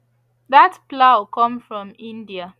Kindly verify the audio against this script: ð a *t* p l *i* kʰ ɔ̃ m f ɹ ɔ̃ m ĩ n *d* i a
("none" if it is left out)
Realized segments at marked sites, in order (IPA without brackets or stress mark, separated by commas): t, a, d